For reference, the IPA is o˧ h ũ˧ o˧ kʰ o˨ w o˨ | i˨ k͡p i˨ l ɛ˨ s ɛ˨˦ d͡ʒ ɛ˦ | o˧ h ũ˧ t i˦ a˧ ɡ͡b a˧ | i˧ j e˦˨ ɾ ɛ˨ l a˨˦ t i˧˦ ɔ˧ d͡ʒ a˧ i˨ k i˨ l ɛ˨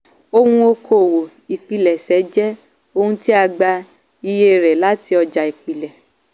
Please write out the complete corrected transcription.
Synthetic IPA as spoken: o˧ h ũ˧ o˧ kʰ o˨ w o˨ | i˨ k͡p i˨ l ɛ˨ s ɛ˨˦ d͡ʒ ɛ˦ | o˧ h ũ˧ t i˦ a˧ ɡ͡b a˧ | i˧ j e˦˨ ɾ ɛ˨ l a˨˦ t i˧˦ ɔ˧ d͡ʒ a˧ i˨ k͡p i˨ l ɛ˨